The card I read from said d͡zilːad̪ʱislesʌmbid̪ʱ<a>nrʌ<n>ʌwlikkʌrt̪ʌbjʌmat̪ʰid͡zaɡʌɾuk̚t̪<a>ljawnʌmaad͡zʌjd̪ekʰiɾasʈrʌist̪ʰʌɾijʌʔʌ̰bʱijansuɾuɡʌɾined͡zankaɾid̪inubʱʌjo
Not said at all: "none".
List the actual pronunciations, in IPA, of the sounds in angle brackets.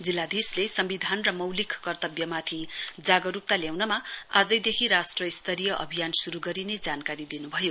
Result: a, m, a

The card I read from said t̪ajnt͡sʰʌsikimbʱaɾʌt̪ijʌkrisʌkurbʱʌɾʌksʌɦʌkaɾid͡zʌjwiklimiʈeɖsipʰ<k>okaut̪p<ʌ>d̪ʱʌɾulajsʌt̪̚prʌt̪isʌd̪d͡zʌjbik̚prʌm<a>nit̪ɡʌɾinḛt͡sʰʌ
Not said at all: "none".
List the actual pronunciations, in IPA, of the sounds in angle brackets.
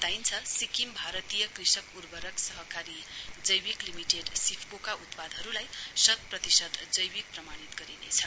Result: k, a, a

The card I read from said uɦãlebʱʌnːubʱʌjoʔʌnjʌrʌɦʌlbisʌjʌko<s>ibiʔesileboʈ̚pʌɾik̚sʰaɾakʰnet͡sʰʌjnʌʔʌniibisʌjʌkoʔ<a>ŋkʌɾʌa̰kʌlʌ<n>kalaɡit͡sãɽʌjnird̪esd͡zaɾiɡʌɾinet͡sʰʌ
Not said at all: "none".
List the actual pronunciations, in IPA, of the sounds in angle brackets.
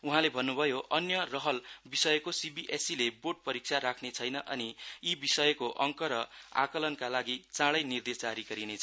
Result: s, ʌ, n

